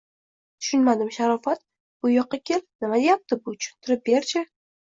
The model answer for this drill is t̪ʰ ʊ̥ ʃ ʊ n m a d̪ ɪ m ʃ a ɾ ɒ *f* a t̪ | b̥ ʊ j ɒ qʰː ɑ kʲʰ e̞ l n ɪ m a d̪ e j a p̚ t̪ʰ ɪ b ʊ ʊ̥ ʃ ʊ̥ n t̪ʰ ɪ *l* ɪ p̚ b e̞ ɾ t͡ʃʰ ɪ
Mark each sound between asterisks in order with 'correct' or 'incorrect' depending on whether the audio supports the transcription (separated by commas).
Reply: correct, incorrect